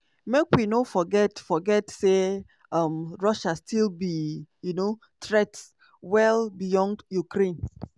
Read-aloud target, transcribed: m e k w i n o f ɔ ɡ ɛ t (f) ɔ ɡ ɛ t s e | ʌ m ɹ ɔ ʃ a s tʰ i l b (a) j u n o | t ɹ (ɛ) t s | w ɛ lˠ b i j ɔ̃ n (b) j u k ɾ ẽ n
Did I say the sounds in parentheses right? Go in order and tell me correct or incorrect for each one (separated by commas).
correct, incorrect, correct, incorrect